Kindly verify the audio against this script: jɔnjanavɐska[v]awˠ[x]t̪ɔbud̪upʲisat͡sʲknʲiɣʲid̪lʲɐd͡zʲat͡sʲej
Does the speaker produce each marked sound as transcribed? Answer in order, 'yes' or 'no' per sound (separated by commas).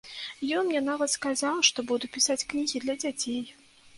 no, no